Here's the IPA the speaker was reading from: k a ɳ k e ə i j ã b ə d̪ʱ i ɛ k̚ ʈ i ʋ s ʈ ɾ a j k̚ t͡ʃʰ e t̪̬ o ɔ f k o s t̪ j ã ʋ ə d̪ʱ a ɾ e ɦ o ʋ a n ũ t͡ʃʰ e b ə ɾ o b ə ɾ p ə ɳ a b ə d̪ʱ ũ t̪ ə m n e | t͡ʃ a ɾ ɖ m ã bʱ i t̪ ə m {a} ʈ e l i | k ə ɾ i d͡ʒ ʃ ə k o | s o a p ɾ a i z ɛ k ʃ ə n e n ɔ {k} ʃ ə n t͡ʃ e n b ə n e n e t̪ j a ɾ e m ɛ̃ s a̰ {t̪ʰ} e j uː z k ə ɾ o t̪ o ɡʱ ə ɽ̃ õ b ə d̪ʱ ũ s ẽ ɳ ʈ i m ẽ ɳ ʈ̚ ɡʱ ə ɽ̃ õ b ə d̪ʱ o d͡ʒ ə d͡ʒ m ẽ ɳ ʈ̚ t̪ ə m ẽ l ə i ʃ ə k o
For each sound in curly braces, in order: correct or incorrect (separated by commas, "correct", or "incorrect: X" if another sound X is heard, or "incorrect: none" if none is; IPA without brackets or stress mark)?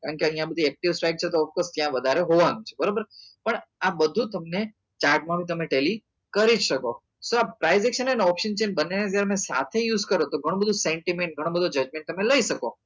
incorrect: e, incorrect: p, correct